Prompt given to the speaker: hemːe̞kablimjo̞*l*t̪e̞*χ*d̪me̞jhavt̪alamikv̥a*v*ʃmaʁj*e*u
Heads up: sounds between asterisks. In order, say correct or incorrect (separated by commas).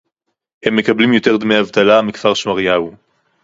incorrect, incorrect, incorrect, incorrect